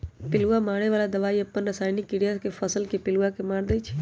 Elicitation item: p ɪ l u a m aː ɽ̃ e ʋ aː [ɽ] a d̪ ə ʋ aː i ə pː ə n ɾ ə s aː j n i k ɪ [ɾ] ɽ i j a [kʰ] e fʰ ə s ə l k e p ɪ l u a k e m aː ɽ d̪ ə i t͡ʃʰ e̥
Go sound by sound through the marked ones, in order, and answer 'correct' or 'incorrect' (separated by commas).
incorrect, incorrect, incorrect